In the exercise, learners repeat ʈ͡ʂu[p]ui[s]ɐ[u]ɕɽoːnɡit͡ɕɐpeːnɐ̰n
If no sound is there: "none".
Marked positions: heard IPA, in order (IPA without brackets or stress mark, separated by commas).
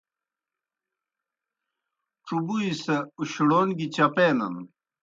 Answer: b, s, u